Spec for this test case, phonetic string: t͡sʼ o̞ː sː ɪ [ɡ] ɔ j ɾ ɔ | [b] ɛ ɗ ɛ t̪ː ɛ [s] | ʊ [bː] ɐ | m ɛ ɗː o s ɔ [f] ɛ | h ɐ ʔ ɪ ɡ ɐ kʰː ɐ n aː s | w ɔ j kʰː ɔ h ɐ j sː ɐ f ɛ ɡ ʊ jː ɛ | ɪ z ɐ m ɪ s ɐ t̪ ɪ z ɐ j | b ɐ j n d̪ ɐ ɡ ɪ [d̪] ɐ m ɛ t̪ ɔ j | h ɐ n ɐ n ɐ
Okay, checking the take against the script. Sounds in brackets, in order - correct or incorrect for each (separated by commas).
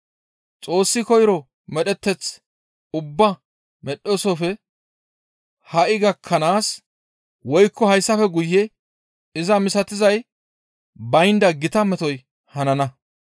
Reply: incorrect, incorrect, incorrect, correct, correct, incorrect